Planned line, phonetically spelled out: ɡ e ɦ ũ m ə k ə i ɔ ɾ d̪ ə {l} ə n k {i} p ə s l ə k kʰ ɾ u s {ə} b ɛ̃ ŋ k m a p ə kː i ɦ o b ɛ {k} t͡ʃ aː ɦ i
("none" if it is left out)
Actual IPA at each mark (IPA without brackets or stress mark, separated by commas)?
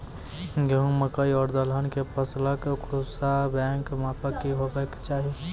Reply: l, e, a, k